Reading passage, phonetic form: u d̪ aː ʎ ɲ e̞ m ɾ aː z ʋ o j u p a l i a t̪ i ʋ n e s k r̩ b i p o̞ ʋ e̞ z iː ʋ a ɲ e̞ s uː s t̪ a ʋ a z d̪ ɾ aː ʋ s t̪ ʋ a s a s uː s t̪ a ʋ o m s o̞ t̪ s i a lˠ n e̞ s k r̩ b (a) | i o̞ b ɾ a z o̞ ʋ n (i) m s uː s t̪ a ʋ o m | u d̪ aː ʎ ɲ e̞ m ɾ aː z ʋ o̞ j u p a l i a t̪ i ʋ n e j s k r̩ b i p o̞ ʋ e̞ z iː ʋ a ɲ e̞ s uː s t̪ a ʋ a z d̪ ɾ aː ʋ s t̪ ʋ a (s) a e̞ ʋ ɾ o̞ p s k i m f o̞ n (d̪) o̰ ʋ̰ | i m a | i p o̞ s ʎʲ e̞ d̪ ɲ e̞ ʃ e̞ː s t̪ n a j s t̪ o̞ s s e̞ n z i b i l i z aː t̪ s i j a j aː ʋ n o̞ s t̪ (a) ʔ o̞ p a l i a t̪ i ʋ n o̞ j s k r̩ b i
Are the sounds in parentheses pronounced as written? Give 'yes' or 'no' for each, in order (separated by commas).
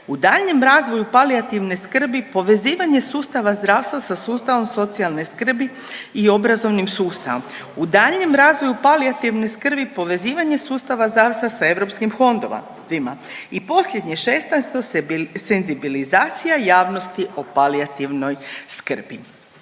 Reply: no, yes, yes, yes, no